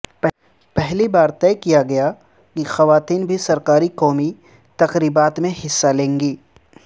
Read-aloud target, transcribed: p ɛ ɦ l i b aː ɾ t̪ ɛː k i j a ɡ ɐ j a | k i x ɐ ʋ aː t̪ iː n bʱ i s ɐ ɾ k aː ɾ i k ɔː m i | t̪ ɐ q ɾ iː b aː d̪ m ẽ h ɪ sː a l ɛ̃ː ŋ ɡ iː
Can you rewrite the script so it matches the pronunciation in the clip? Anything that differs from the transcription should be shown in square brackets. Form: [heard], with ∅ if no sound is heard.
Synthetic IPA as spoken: p ɛ ɦ l i b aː ɾ t̪ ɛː k i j a ɡ ɐ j a | k i x ɐ ʋ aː t̪ iː n bʱ i s ɐ ɾ k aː ɾ i k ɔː m i | t̪ ɐ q ɾ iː b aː [t̪] m ẽ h ɪ sː a l [ẽː] ŋ ɡ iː